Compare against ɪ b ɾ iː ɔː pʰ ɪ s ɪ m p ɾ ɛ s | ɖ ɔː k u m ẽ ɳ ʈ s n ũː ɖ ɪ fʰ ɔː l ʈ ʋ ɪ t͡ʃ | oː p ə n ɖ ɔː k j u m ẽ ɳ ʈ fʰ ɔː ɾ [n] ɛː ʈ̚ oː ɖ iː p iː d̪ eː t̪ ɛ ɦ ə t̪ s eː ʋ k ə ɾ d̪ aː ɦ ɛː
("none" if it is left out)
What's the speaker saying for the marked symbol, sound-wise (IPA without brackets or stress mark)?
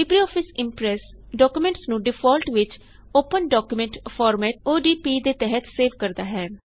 m